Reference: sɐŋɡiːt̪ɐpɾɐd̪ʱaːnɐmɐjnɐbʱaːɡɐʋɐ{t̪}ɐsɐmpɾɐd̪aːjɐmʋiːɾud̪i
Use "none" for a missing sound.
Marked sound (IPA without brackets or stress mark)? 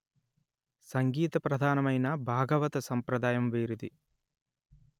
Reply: t̪